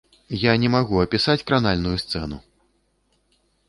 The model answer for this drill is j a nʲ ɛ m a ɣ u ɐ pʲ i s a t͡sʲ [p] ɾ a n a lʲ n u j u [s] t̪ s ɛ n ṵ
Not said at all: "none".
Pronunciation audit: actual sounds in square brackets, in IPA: k, s

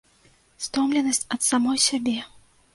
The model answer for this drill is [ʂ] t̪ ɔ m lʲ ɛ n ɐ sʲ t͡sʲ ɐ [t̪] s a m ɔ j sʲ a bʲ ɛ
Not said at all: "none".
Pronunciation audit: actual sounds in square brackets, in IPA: s, t̪

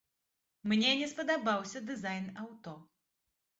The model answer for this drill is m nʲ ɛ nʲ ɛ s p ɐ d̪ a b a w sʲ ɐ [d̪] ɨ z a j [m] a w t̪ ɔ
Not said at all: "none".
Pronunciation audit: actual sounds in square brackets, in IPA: d̪, n

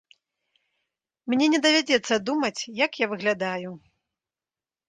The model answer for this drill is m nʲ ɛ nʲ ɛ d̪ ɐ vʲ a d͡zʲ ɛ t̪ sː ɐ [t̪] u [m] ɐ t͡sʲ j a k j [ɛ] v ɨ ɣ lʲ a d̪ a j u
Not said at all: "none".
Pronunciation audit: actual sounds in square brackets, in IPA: d̪, m, a

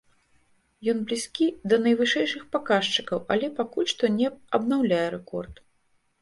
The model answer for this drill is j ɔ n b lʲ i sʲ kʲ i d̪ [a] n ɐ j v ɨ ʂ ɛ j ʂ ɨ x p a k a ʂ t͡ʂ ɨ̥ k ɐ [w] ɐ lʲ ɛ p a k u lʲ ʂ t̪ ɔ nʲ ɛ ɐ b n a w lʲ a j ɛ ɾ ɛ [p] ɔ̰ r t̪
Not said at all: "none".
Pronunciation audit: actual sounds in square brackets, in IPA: ɐ, w, k

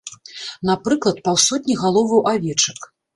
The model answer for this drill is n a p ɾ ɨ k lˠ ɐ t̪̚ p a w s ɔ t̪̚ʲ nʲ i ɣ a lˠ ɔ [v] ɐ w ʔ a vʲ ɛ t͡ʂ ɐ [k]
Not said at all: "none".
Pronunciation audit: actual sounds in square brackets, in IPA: v, k

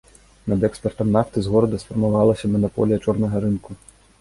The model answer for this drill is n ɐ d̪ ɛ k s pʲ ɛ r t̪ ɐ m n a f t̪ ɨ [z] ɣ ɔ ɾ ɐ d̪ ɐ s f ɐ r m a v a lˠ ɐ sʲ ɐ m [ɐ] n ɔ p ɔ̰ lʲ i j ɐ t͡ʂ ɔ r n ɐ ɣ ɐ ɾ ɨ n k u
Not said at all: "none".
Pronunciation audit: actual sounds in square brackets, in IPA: z, ɐ

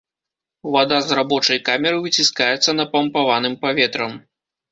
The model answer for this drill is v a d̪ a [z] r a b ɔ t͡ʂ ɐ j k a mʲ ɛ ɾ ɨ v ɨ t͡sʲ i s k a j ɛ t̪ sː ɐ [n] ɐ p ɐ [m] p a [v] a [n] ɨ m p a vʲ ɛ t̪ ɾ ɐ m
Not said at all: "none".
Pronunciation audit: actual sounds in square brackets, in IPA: z, n, m, v, n

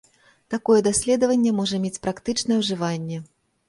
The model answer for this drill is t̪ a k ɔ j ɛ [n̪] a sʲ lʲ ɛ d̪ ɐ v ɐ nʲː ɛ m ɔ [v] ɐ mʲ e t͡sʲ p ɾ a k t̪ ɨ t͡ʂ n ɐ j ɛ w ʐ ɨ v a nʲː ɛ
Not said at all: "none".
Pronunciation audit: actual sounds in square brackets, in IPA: d̪, ʐ

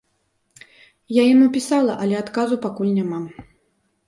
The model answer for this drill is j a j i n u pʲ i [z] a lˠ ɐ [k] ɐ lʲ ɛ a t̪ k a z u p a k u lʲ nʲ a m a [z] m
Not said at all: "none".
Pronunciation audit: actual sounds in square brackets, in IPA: s, ʔ, none

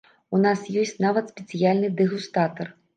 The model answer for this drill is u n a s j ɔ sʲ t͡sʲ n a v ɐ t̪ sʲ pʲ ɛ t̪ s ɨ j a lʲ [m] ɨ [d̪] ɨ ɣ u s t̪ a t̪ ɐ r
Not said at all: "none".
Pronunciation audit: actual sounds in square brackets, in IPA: n, d̪

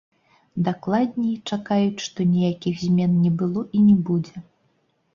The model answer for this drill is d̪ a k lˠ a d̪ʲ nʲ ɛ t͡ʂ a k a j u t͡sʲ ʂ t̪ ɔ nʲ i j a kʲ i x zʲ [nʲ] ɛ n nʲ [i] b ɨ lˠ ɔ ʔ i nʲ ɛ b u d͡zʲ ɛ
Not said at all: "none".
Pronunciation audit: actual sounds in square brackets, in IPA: mʲ, ɛ

